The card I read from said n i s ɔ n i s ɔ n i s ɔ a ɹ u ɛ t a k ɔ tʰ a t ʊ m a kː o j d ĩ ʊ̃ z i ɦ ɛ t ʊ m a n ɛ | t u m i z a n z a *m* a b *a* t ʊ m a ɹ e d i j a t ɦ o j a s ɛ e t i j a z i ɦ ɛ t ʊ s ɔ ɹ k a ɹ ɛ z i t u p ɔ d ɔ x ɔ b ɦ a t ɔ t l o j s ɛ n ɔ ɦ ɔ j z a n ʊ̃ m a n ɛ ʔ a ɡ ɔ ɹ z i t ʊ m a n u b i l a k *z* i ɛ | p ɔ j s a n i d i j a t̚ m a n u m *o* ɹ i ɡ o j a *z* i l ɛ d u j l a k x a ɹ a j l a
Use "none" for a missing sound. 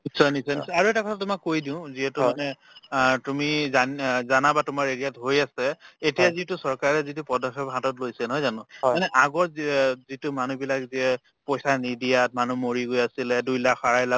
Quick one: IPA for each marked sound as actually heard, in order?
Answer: n, a, z, o, s

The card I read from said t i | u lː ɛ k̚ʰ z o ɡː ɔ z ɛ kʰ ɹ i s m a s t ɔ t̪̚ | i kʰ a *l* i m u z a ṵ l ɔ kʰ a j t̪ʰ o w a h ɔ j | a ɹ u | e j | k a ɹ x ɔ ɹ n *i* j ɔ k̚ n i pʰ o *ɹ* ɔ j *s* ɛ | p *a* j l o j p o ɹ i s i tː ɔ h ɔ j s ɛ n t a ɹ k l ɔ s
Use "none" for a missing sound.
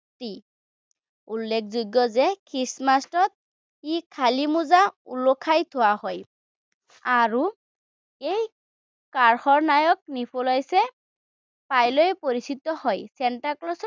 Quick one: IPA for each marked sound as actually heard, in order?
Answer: l, a, l, s, a

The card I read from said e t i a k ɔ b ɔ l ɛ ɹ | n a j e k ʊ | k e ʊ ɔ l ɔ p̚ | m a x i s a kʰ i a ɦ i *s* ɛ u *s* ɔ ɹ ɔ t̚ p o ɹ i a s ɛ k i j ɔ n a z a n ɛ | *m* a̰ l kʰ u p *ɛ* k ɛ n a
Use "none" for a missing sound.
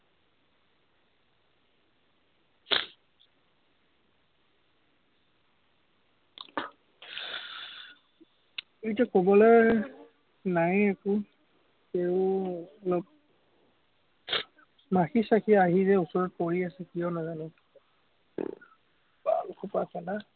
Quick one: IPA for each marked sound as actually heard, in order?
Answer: z, s, b, a

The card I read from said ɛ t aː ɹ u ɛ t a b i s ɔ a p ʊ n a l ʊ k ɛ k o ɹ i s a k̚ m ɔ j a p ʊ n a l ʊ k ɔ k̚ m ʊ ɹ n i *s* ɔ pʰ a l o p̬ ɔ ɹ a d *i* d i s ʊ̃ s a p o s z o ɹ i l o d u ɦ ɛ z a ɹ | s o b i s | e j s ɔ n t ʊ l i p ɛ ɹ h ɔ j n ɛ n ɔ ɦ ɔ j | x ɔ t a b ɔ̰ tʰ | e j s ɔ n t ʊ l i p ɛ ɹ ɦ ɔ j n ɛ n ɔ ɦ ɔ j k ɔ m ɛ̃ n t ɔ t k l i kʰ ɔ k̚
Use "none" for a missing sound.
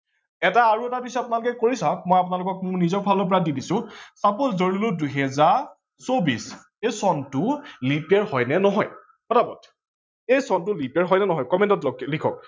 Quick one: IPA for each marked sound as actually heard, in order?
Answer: z, i

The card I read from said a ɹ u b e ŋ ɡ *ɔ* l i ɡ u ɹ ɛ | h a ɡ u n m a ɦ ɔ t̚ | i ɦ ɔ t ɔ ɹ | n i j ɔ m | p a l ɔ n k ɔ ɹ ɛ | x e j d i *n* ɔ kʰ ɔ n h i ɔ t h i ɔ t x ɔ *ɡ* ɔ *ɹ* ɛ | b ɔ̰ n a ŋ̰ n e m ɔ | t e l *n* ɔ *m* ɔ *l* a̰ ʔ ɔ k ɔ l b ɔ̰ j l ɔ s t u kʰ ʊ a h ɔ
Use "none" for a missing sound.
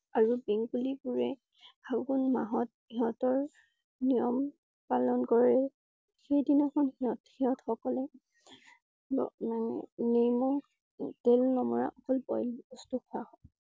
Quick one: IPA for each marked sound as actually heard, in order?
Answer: u, n, k, l, n, m, ɹ

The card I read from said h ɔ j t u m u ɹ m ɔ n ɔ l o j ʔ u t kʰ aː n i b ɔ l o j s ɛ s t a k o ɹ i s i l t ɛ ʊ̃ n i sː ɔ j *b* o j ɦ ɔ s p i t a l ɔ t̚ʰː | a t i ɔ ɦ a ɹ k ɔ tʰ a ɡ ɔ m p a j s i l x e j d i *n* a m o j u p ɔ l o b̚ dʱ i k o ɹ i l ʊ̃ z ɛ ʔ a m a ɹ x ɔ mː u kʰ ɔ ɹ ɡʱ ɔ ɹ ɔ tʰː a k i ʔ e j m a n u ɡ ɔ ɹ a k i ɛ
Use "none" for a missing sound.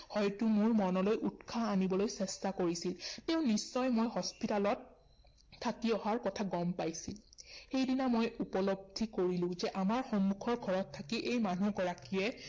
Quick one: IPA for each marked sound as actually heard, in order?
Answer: m, n

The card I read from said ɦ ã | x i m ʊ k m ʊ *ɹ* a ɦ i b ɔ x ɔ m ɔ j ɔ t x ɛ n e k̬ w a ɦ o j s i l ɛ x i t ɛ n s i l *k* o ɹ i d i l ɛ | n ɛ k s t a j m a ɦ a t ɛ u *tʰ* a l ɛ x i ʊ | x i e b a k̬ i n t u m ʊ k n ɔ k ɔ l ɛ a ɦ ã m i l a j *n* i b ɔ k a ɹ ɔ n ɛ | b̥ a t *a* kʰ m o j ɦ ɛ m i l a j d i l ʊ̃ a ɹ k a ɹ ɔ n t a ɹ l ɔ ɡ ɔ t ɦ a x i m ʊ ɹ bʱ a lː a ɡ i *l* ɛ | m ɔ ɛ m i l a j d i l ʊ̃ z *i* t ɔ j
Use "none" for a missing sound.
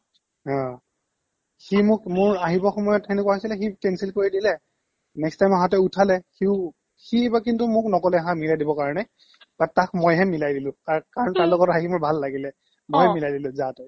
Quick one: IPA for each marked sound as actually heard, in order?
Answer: ɹ, k, tʰ, d, a, l, a

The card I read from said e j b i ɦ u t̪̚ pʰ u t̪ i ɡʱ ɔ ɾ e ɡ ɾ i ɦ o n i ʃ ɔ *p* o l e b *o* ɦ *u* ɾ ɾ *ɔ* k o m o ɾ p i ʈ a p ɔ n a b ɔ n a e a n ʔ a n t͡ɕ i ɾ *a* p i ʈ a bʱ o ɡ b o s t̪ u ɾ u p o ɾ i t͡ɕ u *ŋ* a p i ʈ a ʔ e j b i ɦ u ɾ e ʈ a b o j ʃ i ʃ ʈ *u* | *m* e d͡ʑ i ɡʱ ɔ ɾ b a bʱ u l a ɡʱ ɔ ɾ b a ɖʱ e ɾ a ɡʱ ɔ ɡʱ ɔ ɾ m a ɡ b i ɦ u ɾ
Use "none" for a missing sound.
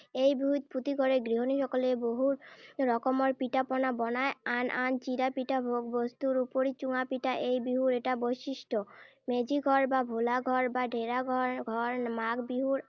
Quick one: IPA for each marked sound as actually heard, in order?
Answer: k, o, u, ɔ, a, ŋ, o, m

